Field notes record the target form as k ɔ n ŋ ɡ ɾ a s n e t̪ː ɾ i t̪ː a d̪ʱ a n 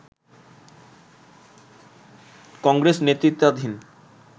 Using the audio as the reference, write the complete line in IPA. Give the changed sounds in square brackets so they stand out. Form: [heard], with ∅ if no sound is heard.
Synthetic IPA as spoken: k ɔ [∅] ŋ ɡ ɾ [e] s n e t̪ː ɾ i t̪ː a d̪ʱ [i] n